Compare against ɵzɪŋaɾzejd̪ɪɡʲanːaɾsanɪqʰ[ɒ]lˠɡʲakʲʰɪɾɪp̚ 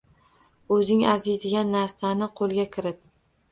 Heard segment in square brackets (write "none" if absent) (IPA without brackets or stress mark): o